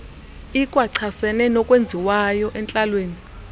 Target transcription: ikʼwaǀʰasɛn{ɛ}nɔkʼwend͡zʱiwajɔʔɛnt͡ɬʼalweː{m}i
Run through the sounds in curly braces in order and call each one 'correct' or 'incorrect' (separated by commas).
correct, incorrect